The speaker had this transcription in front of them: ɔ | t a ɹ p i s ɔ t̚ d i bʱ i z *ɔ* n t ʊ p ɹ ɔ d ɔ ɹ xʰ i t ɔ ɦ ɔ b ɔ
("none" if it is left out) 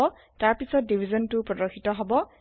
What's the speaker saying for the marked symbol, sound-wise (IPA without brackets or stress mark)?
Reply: ɔ